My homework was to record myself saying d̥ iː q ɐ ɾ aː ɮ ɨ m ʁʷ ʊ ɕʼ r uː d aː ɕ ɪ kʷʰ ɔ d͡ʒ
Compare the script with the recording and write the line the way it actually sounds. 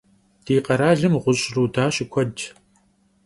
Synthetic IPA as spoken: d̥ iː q ɐ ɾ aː ɮ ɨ m ʁʷ ʊ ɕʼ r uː d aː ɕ ɪ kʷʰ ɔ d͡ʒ